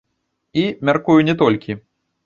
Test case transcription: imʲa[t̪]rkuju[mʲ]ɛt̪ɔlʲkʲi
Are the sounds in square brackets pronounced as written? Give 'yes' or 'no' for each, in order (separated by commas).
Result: no, no